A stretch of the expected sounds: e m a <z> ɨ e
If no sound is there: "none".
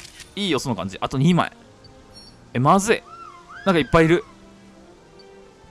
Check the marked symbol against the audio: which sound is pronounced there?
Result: z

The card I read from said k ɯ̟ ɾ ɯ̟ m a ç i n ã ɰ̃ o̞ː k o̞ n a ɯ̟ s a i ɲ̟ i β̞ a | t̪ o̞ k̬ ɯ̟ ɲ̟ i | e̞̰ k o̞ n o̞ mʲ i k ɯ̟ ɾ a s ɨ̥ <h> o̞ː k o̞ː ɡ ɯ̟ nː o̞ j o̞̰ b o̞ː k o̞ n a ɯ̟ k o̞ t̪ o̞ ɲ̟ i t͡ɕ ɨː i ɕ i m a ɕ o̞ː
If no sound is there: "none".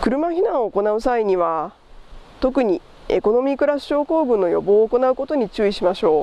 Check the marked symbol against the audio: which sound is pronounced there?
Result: ɕ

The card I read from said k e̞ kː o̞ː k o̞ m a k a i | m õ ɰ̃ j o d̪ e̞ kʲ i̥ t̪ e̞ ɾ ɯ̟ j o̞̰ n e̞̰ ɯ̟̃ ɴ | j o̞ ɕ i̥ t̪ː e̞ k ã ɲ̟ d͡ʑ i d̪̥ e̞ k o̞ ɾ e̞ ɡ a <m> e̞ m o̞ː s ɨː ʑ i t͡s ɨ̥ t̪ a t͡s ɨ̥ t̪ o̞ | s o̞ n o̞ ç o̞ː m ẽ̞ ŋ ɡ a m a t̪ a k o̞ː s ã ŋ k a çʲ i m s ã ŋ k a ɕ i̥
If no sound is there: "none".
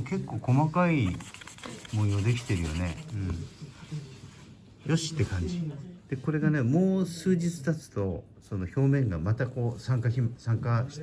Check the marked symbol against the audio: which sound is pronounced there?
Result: n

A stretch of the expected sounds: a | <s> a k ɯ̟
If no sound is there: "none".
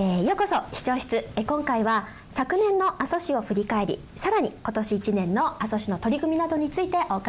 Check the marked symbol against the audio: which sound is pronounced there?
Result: s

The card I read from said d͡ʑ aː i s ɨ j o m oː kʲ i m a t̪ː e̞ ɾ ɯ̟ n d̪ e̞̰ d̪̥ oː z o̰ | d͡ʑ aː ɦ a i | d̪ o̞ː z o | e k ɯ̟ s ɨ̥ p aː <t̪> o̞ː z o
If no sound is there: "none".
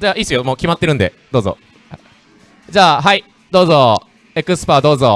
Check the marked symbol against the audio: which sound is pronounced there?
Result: d̪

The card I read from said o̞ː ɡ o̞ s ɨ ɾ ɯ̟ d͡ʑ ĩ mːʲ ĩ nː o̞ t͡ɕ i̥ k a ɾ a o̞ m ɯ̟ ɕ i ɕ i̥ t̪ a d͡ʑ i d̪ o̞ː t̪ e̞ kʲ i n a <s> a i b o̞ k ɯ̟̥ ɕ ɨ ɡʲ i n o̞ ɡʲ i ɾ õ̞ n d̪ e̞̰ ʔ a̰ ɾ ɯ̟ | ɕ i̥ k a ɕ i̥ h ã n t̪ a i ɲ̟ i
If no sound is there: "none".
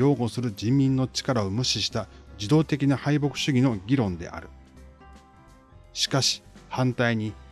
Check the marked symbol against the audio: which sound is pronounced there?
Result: h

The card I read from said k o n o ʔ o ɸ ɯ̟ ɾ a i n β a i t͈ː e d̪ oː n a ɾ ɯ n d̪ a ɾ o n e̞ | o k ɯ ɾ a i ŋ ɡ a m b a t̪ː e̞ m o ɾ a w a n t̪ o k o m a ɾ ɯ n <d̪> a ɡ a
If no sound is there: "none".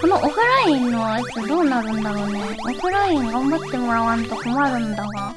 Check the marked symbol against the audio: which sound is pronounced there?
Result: d̪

